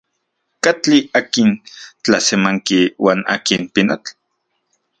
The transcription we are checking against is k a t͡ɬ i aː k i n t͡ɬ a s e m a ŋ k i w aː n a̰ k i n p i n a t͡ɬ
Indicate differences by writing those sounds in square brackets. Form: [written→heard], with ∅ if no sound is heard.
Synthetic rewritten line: k a t͡ɬ i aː k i n t͡ɬ a s e m a ŋ k i w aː n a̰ k i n p i n a t͡ɬ